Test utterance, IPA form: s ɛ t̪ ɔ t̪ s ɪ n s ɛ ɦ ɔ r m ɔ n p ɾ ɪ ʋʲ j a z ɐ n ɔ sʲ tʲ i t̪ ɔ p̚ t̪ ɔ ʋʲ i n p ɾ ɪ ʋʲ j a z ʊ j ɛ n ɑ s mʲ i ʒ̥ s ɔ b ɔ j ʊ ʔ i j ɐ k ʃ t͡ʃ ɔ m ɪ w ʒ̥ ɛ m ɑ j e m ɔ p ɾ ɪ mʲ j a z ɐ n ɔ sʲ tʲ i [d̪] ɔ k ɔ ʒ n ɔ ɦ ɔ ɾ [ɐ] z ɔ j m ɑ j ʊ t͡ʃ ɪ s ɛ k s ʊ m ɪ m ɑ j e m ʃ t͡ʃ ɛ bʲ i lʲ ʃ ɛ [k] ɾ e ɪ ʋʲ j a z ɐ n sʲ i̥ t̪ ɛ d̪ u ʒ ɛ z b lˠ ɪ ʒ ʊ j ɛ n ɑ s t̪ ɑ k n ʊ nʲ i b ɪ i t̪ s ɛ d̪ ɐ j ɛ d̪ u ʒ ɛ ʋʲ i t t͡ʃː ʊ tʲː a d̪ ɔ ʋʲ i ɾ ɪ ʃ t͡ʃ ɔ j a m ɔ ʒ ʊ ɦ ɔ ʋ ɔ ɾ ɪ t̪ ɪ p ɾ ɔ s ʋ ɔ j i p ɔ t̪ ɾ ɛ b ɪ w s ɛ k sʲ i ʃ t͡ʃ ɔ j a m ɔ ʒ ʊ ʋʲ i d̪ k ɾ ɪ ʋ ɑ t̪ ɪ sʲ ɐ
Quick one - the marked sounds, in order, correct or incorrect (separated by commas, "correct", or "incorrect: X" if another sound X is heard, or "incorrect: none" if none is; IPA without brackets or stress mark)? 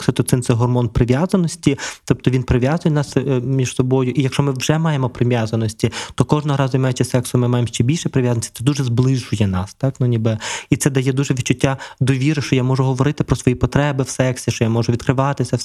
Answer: incorrect: t̪, incorrect: ɑ, incorrect: p